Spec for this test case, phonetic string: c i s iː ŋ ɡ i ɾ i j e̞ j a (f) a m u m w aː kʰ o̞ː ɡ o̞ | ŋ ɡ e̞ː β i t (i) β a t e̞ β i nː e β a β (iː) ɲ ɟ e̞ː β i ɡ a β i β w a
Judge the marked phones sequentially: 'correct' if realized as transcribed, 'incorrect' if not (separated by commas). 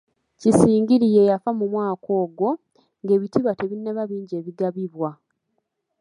correct, correct, correct